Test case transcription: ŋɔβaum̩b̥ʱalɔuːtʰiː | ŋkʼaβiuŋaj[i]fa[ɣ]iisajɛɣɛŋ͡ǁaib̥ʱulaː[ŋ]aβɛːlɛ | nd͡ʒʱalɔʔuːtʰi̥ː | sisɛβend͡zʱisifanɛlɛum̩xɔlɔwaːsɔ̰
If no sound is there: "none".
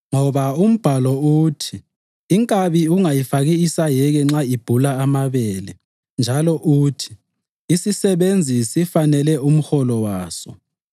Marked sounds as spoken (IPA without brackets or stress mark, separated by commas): i, ɣ, m